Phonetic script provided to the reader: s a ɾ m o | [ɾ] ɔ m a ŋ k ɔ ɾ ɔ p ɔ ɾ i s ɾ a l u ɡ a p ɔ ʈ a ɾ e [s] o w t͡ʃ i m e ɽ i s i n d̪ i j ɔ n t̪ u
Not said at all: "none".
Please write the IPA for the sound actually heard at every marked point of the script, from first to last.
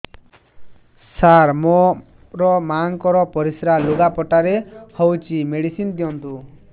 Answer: ɾ, h

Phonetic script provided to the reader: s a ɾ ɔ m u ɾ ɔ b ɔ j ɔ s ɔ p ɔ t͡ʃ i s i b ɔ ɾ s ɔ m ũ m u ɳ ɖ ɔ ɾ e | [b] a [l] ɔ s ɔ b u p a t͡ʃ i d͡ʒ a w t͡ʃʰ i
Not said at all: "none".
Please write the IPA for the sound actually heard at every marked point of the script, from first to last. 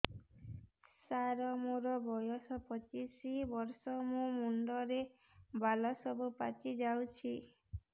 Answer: b, l

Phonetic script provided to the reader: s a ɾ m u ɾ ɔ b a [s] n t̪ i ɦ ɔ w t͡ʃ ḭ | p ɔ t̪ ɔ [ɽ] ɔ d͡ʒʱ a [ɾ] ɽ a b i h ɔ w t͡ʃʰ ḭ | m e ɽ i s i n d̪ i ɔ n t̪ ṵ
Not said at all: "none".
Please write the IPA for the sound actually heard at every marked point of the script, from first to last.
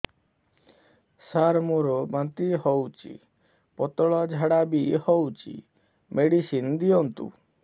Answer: none, ɭ, none

